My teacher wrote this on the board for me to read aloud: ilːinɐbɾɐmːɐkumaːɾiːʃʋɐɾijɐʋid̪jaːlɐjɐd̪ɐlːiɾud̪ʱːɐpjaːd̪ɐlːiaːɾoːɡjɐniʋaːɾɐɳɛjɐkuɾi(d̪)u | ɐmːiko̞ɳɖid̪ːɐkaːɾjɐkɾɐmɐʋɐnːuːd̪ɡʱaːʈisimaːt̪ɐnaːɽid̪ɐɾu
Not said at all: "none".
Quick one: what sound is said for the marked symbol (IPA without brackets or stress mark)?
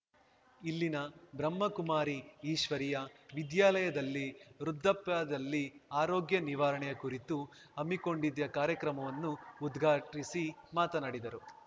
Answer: t̪